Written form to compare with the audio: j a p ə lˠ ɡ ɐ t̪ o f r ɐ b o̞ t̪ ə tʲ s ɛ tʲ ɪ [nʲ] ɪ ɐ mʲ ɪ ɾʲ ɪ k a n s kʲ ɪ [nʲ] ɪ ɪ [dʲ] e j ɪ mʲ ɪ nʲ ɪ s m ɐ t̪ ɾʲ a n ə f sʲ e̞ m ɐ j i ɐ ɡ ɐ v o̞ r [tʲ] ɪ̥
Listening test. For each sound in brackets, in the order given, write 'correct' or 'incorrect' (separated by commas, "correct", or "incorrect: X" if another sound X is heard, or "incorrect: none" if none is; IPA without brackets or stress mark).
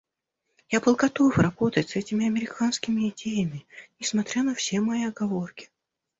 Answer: incorrect: mʲ, incorrect: mʲ, correct, incorrect: kʲ